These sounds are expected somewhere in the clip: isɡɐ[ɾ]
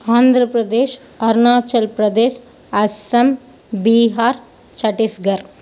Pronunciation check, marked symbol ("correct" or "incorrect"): correct